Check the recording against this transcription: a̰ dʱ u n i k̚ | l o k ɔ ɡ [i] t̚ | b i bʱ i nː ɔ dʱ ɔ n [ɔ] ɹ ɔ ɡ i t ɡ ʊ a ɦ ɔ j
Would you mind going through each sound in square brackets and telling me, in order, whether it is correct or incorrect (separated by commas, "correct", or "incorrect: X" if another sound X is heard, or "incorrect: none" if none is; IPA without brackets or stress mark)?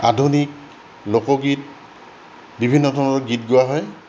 correct, correct